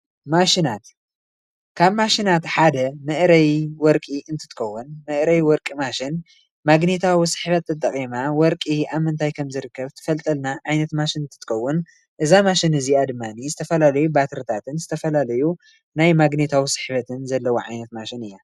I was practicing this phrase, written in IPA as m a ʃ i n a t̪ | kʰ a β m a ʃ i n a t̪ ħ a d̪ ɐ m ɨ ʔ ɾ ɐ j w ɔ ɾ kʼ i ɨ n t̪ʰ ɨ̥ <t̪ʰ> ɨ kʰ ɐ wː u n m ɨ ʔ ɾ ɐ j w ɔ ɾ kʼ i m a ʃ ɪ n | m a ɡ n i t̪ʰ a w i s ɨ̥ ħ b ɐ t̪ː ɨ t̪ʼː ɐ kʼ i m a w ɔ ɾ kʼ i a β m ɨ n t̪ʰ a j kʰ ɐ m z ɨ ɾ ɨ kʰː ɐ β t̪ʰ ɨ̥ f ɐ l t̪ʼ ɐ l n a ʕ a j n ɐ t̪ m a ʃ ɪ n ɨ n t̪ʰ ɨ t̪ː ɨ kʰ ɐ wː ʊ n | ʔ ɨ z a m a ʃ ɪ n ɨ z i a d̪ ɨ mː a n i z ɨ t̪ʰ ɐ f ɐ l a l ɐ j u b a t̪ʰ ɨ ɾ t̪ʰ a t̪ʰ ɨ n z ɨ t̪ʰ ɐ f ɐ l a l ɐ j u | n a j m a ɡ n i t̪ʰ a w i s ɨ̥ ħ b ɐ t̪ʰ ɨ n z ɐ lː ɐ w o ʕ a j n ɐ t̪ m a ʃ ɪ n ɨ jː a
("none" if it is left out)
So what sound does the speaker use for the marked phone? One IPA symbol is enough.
t̪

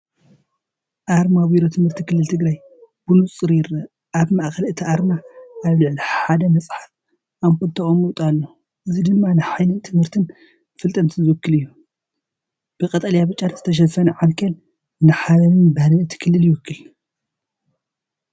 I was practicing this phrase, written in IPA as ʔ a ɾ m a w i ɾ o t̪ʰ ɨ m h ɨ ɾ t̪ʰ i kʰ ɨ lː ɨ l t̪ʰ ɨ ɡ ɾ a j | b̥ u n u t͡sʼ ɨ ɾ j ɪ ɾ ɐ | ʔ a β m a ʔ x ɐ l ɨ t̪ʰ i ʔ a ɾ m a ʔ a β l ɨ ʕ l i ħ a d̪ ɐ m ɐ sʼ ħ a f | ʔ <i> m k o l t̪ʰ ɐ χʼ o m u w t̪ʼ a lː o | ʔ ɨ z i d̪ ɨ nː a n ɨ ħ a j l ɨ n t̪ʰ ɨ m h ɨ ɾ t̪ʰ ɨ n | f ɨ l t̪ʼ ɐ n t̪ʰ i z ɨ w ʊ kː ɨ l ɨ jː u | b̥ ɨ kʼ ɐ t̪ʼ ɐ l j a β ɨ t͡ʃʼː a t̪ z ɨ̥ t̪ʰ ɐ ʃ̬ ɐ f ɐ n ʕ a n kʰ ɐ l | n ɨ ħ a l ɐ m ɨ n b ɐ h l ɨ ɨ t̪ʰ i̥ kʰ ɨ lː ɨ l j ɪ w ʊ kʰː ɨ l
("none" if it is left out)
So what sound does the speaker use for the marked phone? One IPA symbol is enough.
a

